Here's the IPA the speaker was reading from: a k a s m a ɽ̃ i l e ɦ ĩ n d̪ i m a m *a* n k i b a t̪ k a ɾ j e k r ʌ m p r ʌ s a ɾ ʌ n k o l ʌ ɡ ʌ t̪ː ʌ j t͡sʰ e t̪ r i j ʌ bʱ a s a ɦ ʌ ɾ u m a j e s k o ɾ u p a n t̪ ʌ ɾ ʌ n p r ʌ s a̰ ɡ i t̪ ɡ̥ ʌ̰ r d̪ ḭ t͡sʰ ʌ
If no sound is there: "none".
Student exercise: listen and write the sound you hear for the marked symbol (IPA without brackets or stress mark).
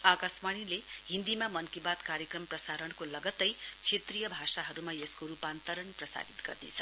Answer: ʌ